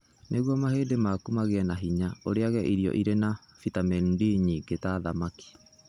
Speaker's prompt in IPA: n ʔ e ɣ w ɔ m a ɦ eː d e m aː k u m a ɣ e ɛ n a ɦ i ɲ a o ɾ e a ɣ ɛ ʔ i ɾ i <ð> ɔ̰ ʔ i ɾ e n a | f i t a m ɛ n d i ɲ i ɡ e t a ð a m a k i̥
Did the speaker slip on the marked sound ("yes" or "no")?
yes